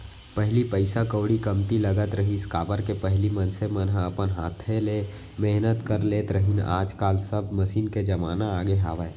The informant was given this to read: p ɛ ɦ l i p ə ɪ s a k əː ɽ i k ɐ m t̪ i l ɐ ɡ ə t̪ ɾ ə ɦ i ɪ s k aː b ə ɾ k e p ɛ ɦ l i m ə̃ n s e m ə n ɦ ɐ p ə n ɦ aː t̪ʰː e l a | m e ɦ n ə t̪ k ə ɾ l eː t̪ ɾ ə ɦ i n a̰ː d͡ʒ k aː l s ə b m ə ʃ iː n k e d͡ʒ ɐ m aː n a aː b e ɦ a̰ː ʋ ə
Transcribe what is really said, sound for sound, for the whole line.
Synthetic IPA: p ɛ ɦ l i p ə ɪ s a k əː ɽ i k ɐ m t̪ i l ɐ ɡ ə t̪ ɾ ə ɦ i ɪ s k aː b ə ɾ k e p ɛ ɦ l i m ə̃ n s e m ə n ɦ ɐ p ə n ɦ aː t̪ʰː e l e | m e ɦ n ə t̪ k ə ɾ l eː t̪ ɾ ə ɦ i n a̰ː d͡ʒ k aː l s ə b m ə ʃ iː n k e d͡ʒ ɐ m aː n a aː ɡ e ɦ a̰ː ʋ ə